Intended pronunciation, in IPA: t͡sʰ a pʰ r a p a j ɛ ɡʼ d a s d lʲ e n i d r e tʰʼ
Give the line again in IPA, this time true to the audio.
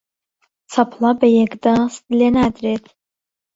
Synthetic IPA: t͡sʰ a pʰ l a b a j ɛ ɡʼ d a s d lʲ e n a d r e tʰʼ

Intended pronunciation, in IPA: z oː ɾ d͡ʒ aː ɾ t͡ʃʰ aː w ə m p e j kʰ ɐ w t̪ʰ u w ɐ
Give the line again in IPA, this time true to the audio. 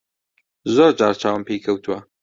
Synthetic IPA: z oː ɾ d͡ʒ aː ɾ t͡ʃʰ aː w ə m p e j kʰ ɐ w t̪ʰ u w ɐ

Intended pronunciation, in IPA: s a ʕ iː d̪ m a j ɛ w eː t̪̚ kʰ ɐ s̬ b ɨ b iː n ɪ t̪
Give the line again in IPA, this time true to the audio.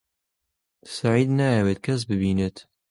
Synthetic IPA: s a ʕ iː d̪ n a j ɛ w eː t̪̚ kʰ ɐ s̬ b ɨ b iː n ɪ t̪

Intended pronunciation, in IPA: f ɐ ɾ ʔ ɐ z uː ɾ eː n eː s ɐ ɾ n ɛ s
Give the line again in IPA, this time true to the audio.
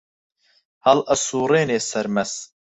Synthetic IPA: h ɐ l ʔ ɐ s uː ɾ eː n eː s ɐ ɾ m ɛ s

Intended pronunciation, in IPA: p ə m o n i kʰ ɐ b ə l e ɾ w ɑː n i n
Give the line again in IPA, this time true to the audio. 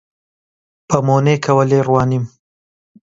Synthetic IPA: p ə m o n e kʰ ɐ w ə l e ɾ w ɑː n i m

